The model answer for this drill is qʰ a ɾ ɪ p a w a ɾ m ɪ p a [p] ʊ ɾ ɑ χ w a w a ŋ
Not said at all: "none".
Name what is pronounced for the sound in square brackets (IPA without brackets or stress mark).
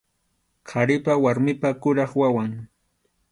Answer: k